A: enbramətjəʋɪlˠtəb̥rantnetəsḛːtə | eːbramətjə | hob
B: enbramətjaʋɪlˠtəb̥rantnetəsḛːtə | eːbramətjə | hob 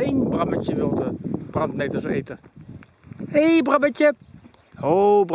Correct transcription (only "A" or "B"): A